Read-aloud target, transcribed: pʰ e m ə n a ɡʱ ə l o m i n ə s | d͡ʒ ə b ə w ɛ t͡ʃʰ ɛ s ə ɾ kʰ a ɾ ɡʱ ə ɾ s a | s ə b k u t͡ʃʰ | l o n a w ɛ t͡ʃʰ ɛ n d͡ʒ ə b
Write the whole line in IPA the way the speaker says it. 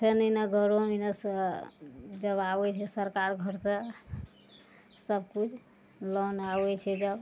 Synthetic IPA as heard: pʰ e n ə n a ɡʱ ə ɾ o m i n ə s | d͡ʒ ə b a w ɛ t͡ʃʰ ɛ s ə ɾ k a ɾ ɡʱ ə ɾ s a | s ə b k u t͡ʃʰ | l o n a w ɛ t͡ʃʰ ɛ d͡ʒ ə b